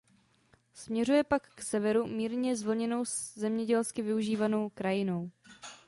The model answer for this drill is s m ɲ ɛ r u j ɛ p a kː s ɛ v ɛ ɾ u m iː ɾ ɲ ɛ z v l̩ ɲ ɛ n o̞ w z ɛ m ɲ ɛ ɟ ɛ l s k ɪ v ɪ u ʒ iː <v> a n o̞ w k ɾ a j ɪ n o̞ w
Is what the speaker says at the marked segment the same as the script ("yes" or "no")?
yes